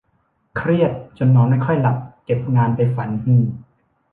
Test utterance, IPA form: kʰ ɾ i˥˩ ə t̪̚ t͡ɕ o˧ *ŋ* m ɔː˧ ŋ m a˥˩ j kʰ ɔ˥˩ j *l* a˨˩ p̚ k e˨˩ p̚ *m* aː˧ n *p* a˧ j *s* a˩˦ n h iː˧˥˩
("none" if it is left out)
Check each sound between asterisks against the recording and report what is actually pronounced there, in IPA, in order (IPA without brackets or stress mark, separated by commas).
n, l, ŋ, p, f